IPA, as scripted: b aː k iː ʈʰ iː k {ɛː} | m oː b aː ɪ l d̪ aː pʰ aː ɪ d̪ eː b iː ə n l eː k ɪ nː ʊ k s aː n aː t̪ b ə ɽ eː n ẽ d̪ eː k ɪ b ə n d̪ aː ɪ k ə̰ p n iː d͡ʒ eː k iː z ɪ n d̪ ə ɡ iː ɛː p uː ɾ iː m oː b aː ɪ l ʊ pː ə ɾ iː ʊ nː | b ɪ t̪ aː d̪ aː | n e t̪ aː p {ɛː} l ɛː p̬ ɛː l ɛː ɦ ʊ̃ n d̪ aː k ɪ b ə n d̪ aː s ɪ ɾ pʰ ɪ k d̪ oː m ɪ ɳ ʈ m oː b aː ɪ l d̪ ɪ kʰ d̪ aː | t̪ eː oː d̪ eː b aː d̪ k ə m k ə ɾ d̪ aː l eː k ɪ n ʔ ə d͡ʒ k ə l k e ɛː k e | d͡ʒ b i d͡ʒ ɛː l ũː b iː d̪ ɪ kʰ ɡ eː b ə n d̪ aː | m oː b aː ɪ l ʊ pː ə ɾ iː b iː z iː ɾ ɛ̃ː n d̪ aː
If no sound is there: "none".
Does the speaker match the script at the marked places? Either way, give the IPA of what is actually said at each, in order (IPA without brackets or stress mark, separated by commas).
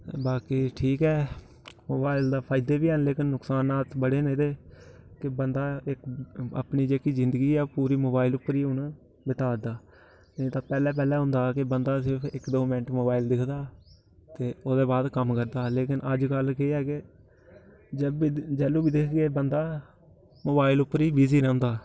ɛː, ɛː